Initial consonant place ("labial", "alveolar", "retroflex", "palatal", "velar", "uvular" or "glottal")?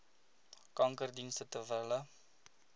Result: velar